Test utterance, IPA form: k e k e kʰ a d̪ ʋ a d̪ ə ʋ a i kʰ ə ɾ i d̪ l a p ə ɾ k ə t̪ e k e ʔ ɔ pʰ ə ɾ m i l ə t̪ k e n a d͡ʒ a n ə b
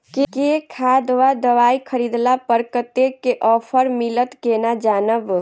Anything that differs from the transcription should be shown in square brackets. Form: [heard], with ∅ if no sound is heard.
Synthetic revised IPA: k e k e kʰ a d̪ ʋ a d̪ ə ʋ a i kʰ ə ɾ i d̪ l a p ə ɾ k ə t̪ e k e ʔ ɔ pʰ ə ɾ m i l ə t̪ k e n a d͡ʒ a n ə b

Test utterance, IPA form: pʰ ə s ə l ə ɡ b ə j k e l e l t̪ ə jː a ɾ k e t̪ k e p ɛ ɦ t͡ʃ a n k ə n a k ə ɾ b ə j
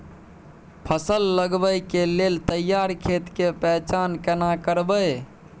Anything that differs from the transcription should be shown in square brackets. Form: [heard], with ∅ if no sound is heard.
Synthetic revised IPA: pʰ ə s ə [lː] ə ɡ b ə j k e l e l t̪ ə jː a ɾ [kʰ] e t̪ k e p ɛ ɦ t͡ʃ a n k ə n a k ə ɾ b ə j

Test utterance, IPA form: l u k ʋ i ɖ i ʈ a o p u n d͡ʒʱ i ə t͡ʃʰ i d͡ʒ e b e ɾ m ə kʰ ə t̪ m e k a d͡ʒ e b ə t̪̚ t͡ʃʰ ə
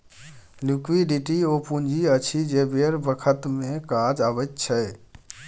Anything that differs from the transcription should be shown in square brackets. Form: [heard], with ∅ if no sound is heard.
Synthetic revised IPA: l u k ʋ i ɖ i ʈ [i] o p u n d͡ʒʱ i ə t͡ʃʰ i d͡ʒ e b e ɾ [b] ə kʰ ə t̪ m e k a d͡ʒ [a] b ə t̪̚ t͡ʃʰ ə

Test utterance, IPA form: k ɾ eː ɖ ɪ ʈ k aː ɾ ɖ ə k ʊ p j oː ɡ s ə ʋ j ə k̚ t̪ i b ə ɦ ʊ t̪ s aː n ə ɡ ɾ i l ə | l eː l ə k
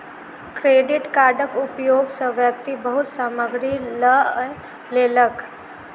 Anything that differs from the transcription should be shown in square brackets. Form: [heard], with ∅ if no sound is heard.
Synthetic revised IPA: k ɾ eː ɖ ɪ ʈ k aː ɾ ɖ ə k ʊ p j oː ɡ s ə ʋ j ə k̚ t̪ i b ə ɦ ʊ t̪ s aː [m] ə ɡ ɾ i l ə | l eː l ə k

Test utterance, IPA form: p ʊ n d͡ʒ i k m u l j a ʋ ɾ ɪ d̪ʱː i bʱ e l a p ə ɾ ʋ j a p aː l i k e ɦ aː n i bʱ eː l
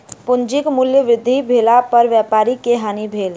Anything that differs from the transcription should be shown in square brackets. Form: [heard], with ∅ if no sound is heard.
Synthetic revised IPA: p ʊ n d͡ʒ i k m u l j [ə] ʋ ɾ ɪ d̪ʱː i bʱ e l a p ə ɾ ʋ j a p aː [ɾ] i k e ɦ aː n i bʱ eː l

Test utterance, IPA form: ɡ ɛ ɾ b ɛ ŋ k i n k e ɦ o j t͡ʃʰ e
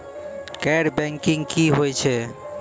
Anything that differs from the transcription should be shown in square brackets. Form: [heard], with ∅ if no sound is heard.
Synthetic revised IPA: [k] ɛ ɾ b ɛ ŋ k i [ŋ] k [i] ɦ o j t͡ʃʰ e

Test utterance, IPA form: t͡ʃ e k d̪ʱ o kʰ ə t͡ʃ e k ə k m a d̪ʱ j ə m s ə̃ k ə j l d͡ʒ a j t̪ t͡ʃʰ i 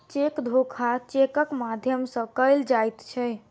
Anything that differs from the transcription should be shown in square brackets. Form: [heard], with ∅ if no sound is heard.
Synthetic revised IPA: t͡ʃ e k d̪ʱ o kʰ [a] t͡ʃ e k ə k m a d̪ʱ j ə m s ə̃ k ə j l d͡ʒ a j t̪ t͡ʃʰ [ɛ]

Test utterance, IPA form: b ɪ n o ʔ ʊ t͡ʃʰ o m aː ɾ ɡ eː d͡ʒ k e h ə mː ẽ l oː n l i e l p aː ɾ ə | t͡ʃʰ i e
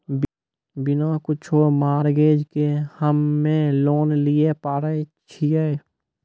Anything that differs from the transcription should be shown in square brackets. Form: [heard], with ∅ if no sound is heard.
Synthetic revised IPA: b ɪ n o [k] ʊ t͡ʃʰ o m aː ɾ ɡ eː d͡ʒ k e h ə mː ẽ l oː n l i e [∅] p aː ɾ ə | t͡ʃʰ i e

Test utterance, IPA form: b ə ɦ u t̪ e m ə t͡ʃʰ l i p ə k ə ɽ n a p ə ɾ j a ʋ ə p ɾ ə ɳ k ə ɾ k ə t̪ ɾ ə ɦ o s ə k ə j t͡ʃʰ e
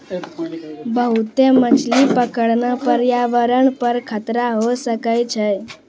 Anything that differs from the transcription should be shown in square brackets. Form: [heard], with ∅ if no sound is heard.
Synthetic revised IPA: b ə ɦ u t̪ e m ə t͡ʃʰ l i p ə k ə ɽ n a p ə ɾ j a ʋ ə [∅] ɾ ə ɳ [p] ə ɾ [kʰ] ə t̪ ɾ [a] ɦ o s ə k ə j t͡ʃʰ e

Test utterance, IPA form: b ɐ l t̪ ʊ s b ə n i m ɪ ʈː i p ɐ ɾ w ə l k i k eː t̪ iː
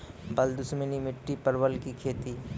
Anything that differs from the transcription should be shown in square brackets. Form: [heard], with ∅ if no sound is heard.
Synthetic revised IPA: b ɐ l [d̪] ʊ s [m] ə n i m ɪ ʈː i p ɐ ɾ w ə l k i [kʰ] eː t̪ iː

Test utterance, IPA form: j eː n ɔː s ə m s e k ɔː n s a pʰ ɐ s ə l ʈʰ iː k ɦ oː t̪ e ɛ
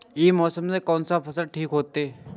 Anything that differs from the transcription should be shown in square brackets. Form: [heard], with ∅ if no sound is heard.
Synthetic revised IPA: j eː [m] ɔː s ə m s e k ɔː n s a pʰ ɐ s ə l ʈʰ iː k ɦ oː t̪ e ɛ

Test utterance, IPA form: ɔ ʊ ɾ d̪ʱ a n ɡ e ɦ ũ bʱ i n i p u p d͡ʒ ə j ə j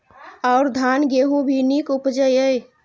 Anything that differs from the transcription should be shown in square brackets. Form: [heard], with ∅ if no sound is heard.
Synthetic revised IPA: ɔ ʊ ɾ d̪ʱ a n ɡ e ɦ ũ bʱ i n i [k] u p d͡ʒ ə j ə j

